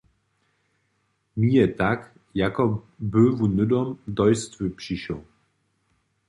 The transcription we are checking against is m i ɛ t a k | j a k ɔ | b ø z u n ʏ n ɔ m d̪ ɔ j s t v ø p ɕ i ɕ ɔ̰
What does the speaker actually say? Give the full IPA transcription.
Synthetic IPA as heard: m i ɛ t a k | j a k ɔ | b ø v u n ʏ d ɔ m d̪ ɔ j s t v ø p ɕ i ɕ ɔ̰